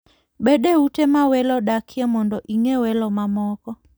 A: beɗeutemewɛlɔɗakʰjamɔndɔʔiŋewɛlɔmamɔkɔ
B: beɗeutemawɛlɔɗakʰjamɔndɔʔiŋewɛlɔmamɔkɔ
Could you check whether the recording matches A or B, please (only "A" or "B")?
B